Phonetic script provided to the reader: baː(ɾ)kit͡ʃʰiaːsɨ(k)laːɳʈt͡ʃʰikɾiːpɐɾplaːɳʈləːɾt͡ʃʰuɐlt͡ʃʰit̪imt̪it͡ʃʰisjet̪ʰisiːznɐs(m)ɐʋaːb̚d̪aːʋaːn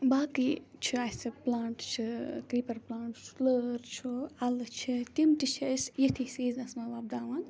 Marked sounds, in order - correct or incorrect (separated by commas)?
incorrect, incorrect, correct